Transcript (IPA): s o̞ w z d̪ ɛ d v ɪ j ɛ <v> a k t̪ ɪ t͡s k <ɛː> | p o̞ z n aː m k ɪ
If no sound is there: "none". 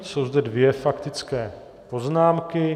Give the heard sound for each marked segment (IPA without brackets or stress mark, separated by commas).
f, ɛː